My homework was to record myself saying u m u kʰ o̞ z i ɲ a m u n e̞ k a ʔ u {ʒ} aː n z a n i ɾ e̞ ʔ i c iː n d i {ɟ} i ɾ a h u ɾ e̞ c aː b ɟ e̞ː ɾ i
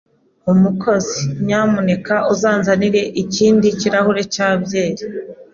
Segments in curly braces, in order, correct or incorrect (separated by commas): incorrect, incorrect